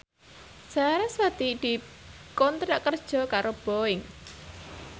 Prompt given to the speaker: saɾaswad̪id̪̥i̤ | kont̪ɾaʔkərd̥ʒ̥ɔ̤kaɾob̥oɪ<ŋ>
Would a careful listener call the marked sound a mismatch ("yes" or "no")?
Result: no